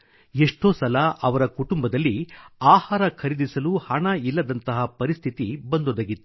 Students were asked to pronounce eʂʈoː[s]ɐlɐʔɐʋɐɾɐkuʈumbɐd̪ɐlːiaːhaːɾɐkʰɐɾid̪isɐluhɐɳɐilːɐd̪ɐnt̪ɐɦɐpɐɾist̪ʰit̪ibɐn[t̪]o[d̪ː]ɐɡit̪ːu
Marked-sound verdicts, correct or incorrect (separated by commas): correct, incorrect, incorrect